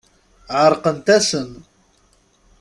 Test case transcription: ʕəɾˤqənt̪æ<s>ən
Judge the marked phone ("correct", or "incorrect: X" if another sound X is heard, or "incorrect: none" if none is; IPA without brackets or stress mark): correct